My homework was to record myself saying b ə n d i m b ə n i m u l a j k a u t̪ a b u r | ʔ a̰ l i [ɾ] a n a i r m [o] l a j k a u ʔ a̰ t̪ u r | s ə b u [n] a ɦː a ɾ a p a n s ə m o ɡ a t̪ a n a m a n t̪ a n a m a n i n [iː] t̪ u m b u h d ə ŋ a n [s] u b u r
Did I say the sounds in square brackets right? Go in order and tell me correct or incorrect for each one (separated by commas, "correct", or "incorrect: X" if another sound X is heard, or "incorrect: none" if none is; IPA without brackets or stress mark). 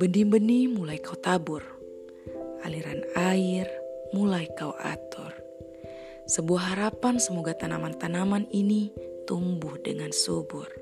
correct, incorrect: u, incorrect: none, incorrect: i, correct